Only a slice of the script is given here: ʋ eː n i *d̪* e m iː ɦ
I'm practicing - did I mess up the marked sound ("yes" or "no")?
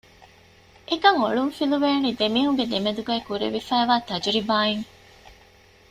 no